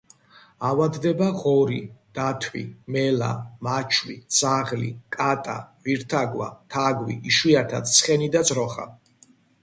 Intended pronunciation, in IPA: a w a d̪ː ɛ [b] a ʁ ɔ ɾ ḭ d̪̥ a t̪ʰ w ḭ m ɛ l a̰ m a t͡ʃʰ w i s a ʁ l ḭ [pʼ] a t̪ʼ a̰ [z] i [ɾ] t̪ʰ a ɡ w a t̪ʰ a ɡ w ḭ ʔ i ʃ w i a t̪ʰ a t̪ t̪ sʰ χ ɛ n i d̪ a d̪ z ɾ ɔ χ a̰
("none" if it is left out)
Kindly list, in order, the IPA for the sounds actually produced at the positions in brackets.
b, kʼ, v, ɾ

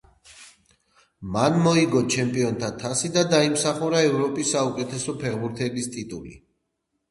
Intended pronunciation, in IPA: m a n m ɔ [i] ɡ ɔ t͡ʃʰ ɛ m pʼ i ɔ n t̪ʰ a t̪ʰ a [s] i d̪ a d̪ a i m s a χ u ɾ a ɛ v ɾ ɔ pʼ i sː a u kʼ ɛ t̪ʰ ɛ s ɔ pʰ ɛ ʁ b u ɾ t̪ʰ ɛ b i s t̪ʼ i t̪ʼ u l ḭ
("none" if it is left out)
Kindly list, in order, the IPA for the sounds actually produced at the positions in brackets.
i, s

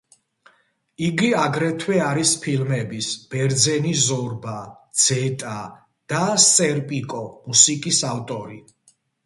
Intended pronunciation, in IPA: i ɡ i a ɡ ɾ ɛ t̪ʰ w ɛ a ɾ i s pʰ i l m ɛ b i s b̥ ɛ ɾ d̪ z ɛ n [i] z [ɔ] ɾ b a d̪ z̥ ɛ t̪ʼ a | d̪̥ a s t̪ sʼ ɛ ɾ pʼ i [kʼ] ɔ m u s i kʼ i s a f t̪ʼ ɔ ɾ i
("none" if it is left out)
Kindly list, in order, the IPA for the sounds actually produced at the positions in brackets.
i, ɔ, kʼ

